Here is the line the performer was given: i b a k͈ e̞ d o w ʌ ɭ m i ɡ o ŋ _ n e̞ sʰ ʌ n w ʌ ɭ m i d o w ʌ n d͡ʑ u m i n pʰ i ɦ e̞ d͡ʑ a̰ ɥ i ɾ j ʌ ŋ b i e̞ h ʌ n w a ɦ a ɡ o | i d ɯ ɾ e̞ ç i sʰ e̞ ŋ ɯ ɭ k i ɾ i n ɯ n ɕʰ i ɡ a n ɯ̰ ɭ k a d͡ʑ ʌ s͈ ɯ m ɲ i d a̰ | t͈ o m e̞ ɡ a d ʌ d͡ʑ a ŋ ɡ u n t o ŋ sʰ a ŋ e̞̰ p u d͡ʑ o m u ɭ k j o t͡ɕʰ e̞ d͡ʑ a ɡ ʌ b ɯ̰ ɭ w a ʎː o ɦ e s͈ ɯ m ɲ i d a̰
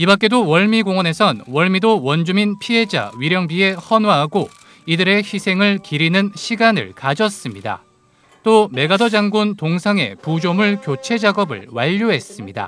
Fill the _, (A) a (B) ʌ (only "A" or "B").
B